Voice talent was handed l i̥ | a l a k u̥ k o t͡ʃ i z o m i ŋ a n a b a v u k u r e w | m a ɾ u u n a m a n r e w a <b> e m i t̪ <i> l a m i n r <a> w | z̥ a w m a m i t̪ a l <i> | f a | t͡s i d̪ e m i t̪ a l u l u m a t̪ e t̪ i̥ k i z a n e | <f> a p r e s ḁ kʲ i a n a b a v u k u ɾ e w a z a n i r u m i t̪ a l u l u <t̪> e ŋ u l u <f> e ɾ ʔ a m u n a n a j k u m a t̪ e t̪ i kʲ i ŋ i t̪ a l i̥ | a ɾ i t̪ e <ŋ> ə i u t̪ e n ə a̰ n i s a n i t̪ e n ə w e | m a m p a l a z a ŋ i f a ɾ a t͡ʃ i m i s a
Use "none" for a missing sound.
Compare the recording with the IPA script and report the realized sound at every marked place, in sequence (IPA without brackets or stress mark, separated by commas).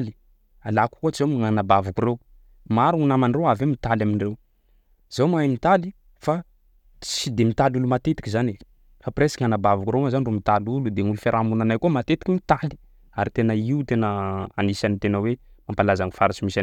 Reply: v, a, e, i, f, d̪, f, n